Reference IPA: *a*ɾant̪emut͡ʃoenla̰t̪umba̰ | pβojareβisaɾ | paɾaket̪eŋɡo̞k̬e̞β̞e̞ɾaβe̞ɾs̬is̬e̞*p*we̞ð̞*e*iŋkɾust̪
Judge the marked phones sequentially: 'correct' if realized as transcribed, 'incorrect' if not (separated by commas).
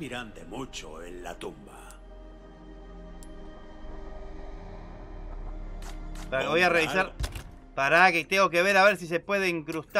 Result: incorrect, correct, correct